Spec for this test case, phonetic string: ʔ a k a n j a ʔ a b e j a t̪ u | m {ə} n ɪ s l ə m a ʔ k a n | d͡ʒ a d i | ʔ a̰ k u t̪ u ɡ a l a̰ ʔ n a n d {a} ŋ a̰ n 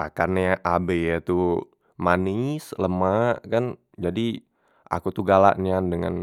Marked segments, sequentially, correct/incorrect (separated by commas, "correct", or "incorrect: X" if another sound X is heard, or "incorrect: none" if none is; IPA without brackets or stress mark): incorrect: a, incorrect: ə